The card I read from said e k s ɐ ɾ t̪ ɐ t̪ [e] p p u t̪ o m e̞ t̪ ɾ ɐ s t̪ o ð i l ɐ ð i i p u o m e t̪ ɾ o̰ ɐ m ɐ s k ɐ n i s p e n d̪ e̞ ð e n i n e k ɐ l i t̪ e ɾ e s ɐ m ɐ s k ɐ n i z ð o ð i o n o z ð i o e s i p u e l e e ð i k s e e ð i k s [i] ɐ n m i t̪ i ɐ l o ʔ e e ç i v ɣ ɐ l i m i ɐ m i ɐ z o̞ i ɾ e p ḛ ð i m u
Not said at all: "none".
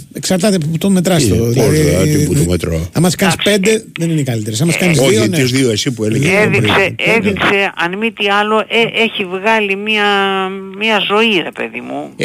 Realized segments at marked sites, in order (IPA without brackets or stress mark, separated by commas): e, e